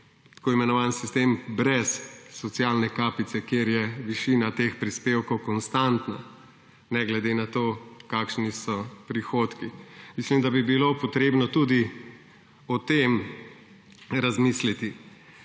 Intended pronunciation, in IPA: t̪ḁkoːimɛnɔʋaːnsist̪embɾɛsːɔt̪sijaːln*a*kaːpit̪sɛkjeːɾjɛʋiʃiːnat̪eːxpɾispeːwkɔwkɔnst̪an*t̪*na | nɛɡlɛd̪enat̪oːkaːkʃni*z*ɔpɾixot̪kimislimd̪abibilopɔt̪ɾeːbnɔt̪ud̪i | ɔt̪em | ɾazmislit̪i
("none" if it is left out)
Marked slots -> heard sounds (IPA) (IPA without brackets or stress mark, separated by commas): ɛ, t̪, s